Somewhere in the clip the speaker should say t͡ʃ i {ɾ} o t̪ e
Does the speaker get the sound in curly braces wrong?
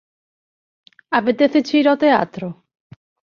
no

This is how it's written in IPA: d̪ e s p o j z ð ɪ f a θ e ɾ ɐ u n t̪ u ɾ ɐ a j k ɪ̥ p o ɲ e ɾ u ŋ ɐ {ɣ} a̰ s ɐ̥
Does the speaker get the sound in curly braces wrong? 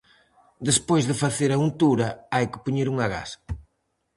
no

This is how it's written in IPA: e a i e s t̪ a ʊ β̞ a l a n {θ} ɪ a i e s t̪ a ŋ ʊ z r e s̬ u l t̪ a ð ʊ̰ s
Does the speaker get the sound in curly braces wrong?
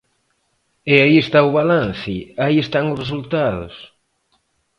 no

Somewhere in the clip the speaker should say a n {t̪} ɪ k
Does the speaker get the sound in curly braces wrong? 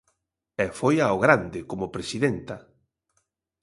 yes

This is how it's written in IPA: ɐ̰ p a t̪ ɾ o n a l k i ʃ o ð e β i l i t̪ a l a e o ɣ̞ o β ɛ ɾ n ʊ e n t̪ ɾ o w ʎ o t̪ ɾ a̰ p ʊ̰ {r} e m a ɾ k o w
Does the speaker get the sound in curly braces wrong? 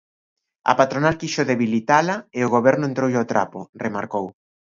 no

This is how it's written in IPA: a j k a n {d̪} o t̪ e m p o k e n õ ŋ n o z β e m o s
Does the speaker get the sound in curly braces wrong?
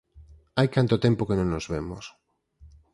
yes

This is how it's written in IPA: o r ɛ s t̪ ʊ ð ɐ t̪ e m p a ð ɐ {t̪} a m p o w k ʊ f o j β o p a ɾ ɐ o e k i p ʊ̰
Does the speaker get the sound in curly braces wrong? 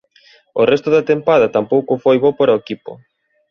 no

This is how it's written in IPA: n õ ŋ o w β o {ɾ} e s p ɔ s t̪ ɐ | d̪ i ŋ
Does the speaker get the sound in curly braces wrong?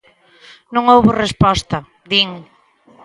yes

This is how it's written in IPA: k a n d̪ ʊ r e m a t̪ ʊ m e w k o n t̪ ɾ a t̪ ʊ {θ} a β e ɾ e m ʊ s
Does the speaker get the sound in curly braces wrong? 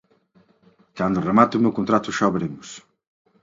yes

